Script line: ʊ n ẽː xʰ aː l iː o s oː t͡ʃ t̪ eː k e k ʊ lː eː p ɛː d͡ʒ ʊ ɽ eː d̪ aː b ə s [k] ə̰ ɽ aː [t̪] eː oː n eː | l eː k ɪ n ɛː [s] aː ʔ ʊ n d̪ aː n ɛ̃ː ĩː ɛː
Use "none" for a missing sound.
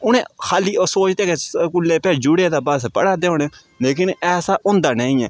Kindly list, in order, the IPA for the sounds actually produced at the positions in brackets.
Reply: p, d̪, s

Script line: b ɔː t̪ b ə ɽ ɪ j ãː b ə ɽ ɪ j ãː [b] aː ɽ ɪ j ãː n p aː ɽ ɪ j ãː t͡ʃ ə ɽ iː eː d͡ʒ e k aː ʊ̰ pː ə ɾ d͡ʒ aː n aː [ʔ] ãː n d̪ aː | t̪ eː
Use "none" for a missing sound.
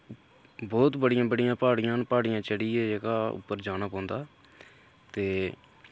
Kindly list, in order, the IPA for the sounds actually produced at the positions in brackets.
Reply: p, p

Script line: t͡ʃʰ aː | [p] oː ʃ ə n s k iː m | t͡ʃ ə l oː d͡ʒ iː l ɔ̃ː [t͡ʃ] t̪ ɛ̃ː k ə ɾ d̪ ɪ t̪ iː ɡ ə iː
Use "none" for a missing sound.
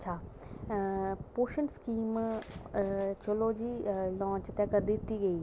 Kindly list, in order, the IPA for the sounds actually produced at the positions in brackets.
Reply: p, t͡ʃ

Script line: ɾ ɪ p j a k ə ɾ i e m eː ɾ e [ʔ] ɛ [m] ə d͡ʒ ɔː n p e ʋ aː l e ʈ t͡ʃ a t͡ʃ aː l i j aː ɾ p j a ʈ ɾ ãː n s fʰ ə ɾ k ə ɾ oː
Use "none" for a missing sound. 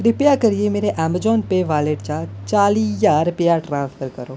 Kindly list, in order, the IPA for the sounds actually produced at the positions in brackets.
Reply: ʔ, m

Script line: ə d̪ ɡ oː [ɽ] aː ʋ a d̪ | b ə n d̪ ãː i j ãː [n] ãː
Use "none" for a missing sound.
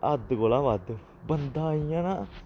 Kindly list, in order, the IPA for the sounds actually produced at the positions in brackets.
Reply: l, n

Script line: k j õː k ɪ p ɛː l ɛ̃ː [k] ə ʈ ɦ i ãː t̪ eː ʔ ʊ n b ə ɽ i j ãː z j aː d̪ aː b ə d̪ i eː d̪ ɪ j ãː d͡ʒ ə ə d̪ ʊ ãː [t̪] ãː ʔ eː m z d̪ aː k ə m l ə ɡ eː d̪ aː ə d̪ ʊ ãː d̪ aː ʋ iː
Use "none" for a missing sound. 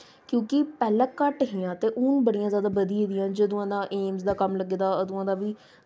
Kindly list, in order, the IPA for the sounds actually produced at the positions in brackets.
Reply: k, d̪

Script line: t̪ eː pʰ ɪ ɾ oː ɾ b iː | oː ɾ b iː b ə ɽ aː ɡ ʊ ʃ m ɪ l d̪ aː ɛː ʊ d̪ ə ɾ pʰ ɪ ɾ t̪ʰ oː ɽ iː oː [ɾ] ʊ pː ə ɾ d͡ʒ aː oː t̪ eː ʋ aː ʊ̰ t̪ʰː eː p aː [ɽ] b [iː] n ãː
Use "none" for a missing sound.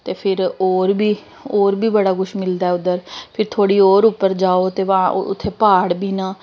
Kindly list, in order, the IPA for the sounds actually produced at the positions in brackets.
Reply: ɾ, ɽ, iː

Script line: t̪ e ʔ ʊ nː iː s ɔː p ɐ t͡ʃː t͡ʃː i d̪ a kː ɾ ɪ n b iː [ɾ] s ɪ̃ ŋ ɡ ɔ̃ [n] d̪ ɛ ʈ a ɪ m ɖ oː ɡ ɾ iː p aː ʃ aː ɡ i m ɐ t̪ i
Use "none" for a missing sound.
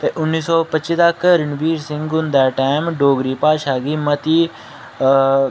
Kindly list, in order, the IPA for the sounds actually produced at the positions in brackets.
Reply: ɾ, n

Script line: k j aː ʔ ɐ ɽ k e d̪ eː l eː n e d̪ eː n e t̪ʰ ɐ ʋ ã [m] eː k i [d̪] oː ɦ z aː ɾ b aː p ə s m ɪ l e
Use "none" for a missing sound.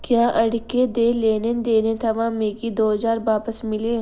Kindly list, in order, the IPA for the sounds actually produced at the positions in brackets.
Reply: m, d̪

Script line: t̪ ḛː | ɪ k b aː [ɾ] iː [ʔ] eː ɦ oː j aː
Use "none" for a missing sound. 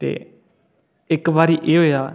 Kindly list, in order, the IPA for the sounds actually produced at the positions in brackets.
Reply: ɾ, ʔ

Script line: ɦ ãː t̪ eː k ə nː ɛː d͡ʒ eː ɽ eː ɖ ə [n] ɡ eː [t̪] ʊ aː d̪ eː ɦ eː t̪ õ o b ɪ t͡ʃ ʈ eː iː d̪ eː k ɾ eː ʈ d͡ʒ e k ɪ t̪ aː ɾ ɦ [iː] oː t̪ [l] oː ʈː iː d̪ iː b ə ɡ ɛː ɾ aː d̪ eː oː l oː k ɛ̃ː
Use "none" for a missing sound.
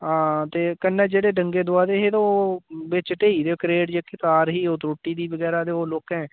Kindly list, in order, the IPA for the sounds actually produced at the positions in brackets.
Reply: ŋ, d̪, iː, ɾ

